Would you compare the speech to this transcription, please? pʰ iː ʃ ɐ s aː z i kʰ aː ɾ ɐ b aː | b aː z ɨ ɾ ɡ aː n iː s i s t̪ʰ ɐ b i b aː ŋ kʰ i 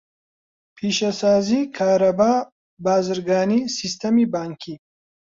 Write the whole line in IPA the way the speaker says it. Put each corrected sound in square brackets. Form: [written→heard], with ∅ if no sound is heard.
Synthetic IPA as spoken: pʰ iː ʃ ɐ s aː z i kʰ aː ɾ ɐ b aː | b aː z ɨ ɾ ɡ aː n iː s i s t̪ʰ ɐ [b→m] i b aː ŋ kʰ i